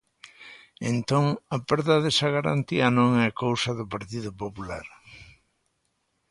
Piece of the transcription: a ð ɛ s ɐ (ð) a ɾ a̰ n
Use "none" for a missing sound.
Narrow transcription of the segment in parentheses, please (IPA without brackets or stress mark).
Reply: ɣ